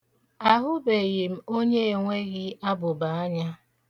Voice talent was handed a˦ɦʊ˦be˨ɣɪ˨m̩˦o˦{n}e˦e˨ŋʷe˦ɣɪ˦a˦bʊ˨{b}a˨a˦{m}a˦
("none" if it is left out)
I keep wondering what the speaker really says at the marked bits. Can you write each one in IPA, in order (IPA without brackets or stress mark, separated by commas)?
ɲ, b, ɲ